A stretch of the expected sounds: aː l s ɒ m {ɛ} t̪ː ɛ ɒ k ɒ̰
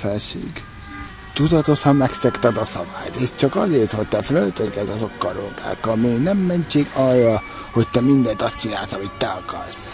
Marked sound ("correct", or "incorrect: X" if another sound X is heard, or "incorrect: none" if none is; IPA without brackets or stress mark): incorrect: i